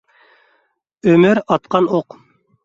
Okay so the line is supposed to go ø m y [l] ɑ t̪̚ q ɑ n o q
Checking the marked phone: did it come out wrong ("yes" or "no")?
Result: yes